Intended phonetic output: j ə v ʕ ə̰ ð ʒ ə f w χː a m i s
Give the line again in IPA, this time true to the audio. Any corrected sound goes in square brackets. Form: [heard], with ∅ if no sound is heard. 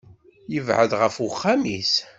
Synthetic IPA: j ə v ʕ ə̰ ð [ʁ] ə f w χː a m i s